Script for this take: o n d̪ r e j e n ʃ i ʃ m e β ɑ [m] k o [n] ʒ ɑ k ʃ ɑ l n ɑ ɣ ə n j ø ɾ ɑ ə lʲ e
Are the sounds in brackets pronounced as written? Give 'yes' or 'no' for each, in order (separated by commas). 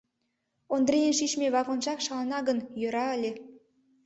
no, yes